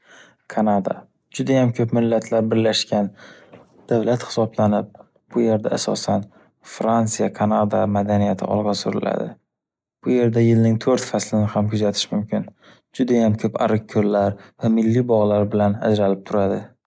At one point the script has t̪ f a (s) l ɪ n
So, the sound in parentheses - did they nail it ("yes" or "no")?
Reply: yes